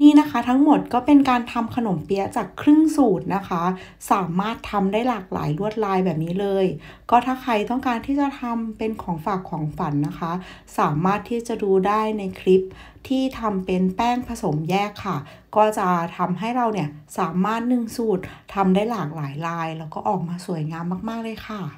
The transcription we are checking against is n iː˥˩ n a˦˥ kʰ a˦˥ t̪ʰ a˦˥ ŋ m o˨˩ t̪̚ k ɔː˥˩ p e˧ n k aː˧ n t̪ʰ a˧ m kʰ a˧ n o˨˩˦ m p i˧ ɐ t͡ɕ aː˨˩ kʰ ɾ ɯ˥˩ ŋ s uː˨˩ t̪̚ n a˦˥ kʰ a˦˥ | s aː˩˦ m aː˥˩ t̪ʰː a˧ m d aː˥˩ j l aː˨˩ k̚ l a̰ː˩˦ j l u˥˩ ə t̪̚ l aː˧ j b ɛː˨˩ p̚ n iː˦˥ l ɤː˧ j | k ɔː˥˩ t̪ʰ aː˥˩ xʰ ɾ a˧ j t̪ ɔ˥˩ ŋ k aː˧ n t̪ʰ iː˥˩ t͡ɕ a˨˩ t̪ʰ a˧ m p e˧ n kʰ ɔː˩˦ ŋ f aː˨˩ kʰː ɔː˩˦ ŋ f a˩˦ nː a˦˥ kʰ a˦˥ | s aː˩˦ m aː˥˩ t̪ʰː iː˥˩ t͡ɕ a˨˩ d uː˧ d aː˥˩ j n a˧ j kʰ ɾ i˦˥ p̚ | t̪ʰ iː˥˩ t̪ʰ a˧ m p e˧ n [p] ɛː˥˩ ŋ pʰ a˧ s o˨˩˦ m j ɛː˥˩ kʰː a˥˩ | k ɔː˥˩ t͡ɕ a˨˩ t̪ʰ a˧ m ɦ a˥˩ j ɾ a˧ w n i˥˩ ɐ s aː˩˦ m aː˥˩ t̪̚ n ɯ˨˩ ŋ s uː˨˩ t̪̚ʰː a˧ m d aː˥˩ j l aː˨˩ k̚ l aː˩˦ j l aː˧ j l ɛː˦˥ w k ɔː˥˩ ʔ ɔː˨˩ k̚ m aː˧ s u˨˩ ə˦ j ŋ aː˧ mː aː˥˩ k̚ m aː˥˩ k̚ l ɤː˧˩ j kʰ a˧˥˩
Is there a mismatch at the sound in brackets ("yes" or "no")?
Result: no